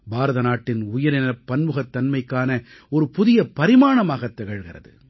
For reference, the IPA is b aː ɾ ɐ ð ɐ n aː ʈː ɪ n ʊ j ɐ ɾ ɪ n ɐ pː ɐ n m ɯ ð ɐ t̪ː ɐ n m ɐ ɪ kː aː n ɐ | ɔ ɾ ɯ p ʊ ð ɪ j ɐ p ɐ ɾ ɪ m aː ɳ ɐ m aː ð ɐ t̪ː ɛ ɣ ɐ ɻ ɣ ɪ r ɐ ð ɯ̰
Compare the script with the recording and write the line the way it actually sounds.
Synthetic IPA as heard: b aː ɾ ɐ ð ɐ n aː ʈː ɪ n ʊ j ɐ ɾ ɪ n ɐ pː ɐ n m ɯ ɣ ɐ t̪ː ɐ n m ɐ ɪ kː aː n ɐ | ɔ ɾ ɯ p ʊ ð ɪ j ɐ p ɐ ɾ ɪ m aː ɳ ɐ m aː ɣ ɐ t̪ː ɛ ɣ ɐ ɻ ɣ ɪ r ɐ ð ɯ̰